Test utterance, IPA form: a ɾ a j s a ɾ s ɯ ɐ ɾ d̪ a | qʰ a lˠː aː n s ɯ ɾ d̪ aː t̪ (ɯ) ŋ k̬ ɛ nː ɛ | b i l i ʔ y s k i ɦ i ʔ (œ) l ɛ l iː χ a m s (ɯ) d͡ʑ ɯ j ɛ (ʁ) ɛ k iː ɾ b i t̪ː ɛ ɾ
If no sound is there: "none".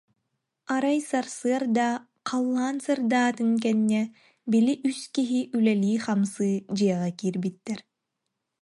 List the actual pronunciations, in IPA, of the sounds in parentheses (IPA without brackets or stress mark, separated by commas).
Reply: ɯ, y, ɯː, ʁ